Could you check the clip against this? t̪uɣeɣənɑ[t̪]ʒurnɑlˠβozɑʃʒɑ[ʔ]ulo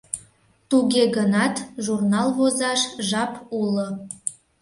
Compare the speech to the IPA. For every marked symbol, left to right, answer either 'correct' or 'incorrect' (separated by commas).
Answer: correct, incorrect